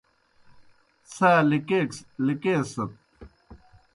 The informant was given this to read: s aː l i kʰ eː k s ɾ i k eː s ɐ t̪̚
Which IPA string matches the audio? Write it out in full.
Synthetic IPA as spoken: s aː l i k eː k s l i k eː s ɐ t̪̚